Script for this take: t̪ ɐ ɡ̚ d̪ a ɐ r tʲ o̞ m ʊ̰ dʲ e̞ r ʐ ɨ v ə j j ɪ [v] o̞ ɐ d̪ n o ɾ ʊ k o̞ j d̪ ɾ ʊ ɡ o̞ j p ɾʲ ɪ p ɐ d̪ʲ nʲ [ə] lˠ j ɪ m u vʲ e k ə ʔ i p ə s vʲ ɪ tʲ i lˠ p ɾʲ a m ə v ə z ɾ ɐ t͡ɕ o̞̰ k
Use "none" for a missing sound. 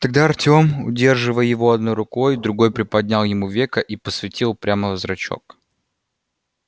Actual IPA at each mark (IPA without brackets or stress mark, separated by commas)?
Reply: v, a